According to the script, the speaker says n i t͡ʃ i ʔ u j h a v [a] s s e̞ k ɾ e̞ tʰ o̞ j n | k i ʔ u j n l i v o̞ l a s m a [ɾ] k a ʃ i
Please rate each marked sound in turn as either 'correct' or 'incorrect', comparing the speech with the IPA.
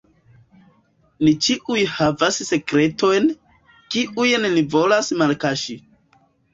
correct, incorrect: l

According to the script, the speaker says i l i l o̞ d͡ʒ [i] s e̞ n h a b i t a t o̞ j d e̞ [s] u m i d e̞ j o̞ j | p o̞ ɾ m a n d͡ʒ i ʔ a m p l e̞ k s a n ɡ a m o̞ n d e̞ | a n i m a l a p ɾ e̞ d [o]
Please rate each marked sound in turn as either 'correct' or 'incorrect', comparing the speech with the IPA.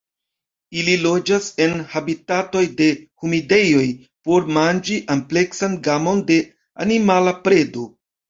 incorrect: a, incorrect: h, correct

